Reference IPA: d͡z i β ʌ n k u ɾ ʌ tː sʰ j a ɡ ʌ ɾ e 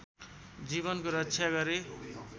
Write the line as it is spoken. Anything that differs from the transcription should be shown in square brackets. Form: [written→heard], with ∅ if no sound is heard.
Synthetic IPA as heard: d͡z i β ʌ n k [u→o] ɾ ʌ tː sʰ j a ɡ ʌ ɾ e